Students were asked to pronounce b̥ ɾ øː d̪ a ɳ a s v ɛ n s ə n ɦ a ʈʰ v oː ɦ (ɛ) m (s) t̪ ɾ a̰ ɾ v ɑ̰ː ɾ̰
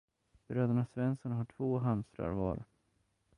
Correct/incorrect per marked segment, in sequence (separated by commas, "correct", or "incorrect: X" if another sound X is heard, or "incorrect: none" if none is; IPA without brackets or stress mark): incorrect: a, correct